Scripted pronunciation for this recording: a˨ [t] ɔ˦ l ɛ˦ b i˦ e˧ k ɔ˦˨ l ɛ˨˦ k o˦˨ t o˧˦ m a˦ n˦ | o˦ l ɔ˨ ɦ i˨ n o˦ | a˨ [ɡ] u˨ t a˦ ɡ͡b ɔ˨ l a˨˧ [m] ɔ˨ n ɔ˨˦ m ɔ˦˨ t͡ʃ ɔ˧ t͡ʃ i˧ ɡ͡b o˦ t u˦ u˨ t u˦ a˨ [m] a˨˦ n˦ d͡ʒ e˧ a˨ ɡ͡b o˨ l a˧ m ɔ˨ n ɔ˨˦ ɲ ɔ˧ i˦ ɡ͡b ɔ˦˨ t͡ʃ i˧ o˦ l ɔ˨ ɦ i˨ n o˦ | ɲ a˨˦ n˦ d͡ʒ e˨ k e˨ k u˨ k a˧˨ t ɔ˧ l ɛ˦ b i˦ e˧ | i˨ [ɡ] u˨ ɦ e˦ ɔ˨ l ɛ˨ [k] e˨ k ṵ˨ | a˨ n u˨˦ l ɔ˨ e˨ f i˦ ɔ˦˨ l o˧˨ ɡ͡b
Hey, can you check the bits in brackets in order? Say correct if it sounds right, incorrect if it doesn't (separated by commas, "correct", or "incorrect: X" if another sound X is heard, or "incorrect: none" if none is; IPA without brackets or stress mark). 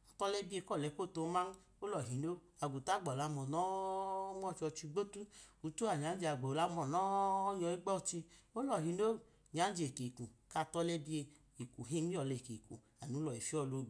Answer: correct, correct, correct, incorrect: ɲ, incorrect: k, correct